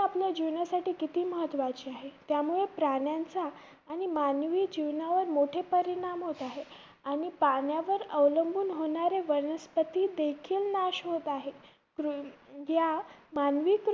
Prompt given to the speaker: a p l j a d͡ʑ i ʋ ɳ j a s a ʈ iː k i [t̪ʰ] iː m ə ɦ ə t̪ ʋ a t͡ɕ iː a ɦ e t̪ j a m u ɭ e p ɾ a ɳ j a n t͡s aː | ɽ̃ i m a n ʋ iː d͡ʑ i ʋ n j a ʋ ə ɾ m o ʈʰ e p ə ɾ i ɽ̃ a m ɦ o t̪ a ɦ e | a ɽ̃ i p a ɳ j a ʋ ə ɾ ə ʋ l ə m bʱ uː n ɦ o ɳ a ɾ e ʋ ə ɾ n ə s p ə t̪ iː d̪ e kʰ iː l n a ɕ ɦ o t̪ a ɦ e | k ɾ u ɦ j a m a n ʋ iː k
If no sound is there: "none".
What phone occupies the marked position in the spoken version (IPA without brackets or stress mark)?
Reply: t̪